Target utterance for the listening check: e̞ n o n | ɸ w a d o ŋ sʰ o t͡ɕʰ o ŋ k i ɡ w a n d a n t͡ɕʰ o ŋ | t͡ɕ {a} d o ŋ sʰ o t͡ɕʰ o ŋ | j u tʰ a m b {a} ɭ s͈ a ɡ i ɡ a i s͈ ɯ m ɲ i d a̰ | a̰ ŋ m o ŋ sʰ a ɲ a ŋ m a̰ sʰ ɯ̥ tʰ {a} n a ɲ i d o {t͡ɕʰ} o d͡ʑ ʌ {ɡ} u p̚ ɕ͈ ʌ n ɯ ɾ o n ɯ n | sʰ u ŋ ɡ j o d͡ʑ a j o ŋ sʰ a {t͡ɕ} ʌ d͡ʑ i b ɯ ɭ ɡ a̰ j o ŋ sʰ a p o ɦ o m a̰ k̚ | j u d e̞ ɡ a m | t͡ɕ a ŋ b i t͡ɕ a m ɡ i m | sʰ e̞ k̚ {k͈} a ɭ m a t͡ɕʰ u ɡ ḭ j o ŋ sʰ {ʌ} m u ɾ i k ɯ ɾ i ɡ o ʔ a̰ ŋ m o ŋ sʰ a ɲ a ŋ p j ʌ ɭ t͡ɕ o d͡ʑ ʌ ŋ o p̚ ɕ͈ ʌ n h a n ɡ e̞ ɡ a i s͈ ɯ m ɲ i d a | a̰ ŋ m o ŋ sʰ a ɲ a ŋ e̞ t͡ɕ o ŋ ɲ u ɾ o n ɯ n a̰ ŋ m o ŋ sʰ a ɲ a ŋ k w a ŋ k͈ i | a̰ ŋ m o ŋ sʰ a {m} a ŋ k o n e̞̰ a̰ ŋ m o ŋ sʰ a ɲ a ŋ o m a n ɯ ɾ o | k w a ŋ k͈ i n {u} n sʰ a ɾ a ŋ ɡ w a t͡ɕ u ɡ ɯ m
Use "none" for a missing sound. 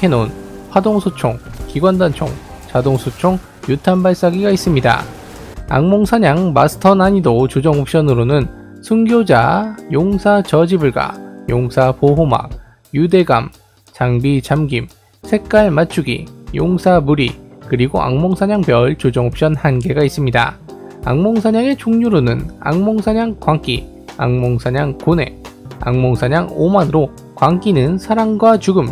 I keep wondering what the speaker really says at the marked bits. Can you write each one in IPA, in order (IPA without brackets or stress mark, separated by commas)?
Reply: a, a, ʌ, t͡ɕ, ŋ, t͡ɕ, k͈, a, ɲ, ɯ